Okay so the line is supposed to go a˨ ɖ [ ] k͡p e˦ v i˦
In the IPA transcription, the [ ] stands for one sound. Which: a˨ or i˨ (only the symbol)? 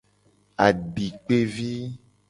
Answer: i˨